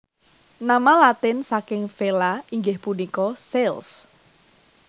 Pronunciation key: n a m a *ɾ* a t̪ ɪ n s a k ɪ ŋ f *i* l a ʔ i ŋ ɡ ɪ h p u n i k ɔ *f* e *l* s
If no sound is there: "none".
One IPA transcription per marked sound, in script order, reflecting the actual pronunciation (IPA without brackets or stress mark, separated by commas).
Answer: l, e, s, l